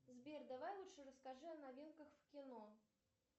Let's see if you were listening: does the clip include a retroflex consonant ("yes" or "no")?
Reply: yes